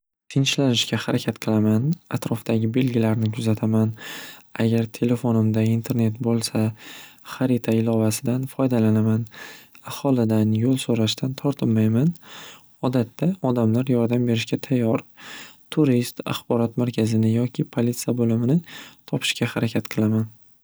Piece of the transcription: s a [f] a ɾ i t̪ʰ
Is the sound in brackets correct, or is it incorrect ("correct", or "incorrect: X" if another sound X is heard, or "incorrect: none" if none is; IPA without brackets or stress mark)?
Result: incorrect: χ